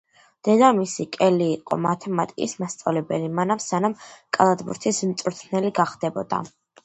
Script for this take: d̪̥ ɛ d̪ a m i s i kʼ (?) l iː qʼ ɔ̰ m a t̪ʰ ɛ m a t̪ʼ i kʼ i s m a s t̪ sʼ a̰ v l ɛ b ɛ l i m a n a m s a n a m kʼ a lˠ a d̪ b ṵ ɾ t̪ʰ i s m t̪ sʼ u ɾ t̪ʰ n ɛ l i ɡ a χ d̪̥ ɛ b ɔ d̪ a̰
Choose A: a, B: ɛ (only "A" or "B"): B